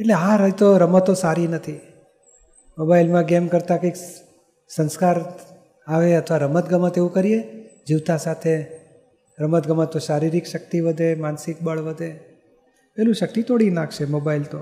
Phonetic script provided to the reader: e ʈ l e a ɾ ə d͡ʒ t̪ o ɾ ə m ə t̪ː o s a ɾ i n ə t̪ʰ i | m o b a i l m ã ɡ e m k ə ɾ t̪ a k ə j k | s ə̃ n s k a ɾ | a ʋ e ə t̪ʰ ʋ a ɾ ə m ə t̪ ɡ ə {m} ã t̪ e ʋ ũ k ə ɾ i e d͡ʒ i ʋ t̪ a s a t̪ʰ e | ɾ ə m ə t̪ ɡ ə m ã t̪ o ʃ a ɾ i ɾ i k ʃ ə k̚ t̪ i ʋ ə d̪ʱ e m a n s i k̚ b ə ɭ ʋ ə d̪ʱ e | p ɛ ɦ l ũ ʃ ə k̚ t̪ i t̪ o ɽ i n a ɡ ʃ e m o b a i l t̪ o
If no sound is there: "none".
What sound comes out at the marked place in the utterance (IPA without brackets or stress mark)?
m